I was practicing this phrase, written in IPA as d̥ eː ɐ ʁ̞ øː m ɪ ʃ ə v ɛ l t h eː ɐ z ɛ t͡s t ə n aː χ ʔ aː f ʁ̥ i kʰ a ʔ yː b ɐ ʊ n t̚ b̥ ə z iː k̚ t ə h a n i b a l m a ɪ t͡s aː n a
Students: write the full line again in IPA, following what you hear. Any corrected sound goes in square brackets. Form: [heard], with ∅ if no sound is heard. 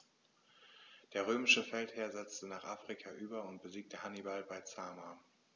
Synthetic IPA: d̥ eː ɐ ʁ̞ øː m ɪ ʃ ə [f] ɛ l t h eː ɐ z ɛ t͡s t ə n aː χ ʔ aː f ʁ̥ i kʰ a ʔ yː b ɐ ʊ n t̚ b̥ ə z iː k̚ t ə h a n i b a l [b] a ɪ t͡s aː [m] a